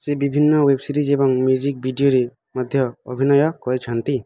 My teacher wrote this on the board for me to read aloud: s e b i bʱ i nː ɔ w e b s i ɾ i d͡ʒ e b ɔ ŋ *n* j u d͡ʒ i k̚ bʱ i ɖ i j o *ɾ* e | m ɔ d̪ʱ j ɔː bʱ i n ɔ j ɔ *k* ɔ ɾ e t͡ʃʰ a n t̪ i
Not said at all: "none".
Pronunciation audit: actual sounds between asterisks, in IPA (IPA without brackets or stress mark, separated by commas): m, ɾ, k